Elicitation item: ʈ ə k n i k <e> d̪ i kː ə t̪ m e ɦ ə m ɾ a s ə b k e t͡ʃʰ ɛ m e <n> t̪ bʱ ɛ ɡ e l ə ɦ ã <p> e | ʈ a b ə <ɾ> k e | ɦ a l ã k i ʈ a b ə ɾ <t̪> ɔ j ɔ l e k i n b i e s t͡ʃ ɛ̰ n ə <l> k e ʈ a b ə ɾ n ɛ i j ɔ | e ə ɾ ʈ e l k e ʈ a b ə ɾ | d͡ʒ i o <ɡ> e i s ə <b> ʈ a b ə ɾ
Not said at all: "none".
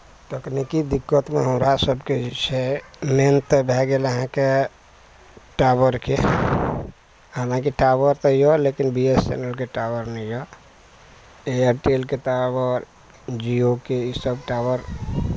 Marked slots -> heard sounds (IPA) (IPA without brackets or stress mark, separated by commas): i, n, k, ɾ, t̪, l, k, b